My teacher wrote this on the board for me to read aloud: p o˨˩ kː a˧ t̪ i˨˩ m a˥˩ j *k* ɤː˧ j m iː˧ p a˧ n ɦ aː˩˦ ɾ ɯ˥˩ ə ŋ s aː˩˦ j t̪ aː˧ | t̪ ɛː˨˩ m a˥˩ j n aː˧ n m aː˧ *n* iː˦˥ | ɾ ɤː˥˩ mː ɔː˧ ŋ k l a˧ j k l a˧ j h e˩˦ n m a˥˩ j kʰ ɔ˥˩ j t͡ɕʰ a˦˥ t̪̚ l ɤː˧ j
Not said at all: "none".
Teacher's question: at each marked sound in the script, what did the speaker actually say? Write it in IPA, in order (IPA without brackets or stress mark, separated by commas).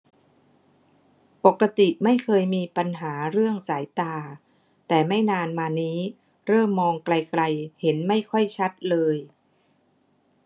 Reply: kʰ, n